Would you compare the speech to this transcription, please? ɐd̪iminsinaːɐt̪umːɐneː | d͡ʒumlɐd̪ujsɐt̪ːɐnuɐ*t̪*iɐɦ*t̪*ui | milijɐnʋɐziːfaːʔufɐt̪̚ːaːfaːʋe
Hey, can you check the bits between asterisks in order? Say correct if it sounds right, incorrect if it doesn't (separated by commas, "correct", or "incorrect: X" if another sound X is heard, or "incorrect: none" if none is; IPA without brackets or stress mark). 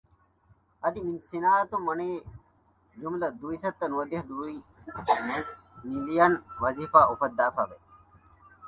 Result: incorrect: d̪, incorrect: d̪